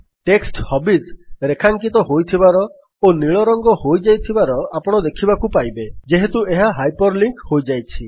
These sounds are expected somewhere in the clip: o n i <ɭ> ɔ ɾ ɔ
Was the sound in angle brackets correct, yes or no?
yes